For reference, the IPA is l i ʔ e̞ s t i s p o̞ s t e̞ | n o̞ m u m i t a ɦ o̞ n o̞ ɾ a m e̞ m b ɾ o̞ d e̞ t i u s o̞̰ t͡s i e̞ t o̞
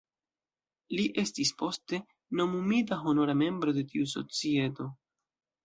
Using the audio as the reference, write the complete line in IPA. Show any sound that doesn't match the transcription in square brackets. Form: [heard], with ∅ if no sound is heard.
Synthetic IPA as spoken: l i ʔ e̞ s t i s p o̞ s t e̞ | n o̞ m u m i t a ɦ o̞ n o̞ ɾ a m e̞ m b ɾ o̞ d e̞ t i u s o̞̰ t͡s i e̞ t o̞